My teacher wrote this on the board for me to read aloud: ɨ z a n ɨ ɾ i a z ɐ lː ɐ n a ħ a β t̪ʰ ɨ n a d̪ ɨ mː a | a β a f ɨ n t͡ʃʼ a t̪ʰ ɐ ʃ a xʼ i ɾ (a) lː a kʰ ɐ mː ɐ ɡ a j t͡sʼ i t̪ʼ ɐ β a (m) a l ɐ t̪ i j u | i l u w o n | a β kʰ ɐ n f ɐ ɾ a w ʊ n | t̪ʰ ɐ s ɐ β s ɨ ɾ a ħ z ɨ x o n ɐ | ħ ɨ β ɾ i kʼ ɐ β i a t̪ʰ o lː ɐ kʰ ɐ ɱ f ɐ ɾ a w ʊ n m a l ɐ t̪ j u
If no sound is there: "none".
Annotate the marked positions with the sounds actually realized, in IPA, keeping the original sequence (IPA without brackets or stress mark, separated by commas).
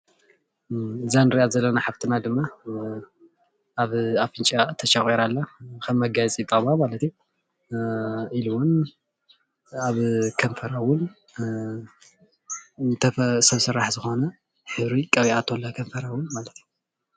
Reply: a, m